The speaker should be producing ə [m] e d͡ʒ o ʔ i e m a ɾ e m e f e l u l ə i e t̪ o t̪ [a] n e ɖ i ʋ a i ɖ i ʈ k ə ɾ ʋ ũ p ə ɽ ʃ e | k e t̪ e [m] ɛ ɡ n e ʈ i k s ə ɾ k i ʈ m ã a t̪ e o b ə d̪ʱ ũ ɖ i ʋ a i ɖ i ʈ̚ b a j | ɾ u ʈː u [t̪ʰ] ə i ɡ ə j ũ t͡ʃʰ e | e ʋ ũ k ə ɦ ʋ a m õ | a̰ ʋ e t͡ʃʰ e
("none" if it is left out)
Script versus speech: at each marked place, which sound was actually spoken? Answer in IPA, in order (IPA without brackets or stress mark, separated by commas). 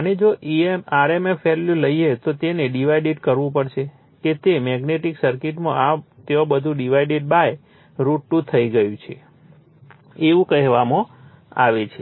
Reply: n, e, m, t̪ʰ